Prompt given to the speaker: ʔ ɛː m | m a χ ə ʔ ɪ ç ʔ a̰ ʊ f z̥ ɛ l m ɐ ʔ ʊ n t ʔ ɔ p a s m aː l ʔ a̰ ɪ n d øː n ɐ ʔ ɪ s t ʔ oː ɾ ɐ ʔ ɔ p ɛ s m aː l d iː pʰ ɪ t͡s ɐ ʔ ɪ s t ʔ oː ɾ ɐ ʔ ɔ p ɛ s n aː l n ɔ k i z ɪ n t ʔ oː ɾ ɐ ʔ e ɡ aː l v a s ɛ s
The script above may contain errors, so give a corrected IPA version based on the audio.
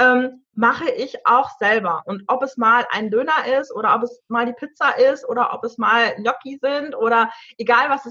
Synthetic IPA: ʔ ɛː m | m a χ ə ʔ ɪ ç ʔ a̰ ʊ x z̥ ɛ l b ɐ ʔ ʊ n t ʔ ɔ p ɛ s m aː l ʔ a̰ ɪ n d øː n ɐ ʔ ɪ s t ʔ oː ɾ ɐ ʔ ɔ p ɛ s m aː l d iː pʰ ɪ t͡s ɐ ʔ ɪ s t ʔ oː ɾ ɐ ʔ ɔ p ɛ s m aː l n ɔ k i z ɪ n t ʔ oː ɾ ɐ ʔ e ɡ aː l v a s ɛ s